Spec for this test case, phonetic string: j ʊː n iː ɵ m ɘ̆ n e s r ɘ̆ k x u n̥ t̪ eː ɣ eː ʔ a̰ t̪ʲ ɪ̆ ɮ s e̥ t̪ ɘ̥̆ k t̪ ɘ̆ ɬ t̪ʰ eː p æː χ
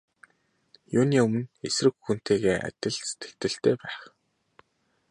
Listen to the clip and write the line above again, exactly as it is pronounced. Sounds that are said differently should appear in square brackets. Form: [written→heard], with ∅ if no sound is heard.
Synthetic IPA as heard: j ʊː n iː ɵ m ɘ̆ n e s r ɘ̆ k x u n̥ t̪ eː ɣ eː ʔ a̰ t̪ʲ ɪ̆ ɮ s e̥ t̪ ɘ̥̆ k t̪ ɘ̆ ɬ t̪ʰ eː p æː χ